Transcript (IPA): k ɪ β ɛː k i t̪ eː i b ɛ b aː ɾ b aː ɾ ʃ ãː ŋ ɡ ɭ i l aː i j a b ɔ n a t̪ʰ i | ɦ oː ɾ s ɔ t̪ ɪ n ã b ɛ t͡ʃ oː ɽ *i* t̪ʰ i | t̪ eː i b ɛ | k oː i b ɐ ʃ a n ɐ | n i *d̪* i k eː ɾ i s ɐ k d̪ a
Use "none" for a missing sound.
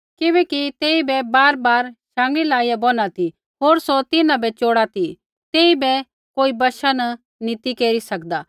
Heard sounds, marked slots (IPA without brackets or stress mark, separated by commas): a, t̪